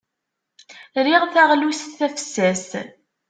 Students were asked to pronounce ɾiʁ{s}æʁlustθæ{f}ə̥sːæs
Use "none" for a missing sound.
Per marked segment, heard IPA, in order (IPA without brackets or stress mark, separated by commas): θ, f